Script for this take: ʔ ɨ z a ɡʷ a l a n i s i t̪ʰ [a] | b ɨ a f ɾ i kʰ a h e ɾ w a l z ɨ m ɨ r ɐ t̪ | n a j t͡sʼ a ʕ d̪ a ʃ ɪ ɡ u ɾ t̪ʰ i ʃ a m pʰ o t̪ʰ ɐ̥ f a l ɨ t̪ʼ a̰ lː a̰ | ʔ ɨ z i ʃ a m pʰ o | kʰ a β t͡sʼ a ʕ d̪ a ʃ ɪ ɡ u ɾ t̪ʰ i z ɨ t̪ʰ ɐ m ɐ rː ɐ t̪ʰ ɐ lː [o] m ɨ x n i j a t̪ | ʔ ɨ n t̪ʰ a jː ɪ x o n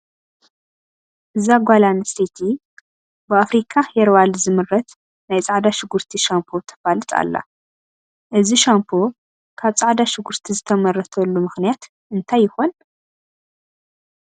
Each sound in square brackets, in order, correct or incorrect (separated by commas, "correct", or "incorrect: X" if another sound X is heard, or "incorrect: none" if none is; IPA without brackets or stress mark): incorrect: i, incorrect: u